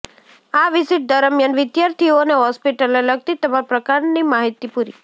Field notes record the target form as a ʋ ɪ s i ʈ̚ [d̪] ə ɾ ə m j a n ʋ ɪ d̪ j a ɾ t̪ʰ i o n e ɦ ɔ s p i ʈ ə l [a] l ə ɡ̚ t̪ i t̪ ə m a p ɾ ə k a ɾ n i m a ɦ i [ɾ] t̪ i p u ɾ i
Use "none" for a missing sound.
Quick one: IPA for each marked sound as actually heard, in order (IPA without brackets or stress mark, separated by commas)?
d̪, e, none